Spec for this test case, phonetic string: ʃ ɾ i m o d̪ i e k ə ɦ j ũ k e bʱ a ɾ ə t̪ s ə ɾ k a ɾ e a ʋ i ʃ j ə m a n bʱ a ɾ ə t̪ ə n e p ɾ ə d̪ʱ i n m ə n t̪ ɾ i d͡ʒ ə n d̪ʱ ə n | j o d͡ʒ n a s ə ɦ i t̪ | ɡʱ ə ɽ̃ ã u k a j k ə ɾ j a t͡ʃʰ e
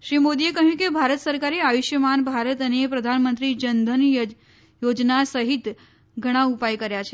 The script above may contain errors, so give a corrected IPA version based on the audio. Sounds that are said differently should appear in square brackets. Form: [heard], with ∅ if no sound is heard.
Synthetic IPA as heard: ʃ ɾ i m o d̪ i e k ə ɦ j ũ k e bʱ a ɾ ə t̪ s ə ɾ k a ɾ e a ʋ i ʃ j ə m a n bʱ a ɾ ə t̪ ə n e p ɾ ə d̪ʱ [a] n m ə n t̪ ɾ i d͡ʒ ə n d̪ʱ ə n | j o d͡ʒ n a s ə ɦ i t̪ | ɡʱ ə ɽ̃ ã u [p] a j k ə ɾ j a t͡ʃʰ e